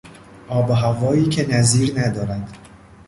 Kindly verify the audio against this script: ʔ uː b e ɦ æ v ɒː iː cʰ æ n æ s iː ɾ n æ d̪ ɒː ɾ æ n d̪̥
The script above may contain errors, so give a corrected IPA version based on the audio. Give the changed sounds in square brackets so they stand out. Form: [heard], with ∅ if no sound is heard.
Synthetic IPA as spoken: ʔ [ɒː] b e ɦ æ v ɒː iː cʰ [e] n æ [z] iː ɾ n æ d̪ ɒː ɾ æ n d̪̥